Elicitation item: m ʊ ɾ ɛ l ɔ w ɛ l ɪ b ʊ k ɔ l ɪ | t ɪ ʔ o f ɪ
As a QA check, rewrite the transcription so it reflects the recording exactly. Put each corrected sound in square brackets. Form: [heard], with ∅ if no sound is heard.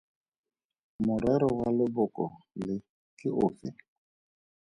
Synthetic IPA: m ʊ ɾ ɛ [ɾ] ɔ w [a] l ɪ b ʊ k ɔ l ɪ | [k] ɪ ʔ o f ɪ